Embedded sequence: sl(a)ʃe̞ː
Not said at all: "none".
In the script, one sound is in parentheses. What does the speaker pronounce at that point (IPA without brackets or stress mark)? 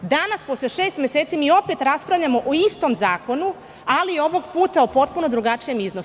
e